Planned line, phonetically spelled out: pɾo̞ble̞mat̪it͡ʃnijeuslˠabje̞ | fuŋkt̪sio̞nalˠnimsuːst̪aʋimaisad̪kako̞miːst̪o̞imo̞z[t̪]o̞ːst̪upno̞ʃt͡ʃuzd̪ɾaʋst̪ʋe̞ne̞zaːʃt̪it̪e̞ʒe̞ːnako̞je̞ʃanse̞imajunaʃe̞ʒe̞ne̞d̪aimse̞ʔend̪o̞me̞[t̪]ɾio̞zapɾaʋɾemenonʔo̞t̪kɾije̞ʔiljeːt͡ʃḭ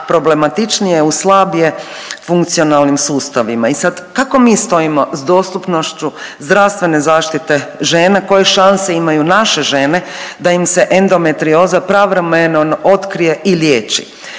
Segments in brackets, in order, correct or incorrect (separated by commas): incorrect, correct